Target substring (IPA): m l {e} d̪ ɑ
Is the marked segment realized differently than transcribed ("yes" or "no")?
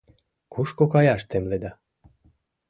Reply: no